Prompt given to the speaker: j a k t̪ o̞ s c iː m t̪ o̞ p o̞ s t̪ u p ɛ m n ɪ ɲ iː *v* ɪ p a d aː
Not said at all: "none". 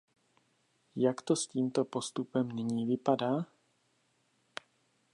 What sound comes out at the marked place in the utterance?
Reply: v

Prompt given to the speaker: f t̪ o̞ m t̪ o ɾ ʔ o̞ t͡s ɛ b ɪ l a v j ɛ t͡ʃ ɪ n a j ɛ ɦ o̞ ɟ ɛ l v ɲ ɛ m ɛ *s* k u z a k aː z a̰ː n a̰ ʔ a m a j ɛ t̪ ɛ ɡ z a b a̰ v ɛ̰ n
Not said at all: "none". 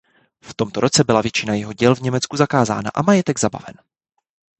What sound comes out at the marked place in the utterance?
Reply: t͡s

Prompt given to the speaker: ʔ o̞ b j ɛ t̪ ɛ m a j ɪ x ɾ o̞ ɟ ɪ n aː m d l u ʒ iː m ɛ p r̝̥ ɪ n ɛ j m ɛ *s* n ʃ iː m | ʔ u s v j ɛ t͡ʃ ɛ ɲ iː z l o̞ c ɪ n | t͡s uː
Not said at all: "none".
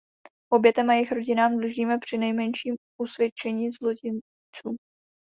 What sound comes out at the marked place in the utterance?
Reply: none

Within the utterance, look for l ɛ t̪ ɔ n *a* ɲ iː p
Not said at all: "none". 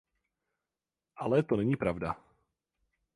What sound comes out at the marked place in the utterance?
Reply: ɛ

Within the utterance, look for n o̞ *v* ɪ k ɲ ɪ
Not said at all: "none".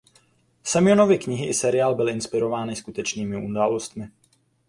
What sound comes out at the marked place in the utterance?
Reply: v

